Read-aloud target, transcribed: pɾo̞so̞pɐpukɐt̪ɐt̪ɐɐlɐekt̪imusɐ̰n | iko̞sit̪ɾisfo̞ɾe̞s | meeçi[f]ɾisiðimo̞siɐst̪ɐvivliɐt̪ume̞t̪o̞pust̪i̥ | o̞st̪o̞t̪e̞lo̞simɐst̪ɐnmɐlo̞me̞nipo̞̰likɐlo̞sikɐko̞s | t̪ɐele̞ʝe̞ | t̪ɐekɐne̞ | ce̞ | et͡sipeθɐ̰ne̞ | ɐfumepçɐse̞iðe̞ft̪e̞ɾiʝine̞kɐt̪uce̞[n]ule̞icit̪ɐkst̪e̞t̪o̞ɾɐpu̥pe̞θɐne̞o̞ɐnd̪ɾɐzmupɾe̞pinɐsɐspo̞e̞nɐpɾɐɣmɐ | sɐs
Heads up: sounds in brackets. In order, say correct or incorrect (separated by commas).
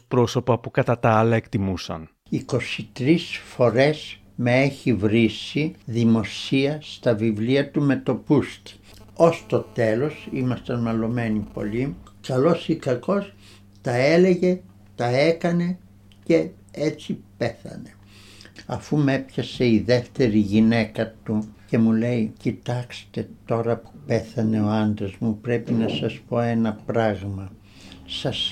incorrect, incorrect